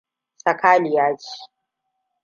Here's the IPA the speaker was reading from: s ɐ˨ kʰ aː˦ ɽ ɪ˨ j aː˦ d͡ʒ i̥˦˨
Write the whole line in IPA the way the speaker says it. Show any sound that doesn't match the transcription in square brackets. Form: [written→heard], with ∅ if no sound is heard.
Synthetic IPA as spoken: s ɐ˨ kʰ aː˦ [ɽ→l] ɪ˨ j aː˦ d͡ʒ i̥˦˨